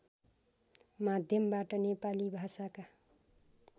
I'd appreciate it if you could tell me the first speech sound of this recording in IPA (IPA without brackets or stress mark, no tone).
m